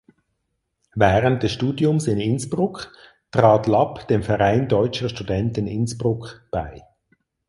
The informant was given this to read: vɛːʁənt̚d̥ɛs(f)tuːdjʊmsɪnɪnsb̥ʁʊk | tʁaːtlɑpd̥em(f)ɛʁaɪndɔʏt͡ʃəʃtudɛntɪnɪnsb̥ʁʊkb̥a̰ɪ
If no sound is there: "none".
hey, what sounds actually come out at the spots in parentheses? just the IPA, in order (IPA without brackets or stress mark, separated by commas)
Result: ʃ, f